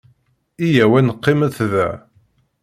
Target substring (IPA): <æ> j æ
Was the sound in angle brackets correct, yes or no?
no